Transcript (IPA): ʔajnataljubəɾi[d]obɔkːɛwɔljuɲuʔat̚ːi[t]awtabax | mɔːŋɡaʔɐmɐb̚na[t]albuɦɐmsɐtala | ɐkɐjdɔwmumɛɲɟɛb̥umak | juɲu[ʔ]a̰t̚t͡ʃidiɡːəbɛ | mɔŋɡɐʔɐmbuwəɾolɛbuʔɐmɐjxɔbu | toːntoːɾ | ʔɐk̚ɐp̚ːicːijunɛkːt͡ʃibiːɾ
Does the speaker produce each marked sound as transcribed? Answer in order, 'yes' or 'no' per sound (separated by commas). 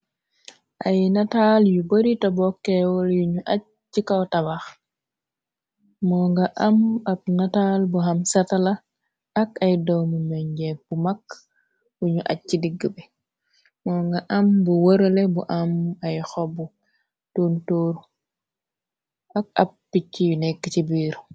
no, no, yes, yes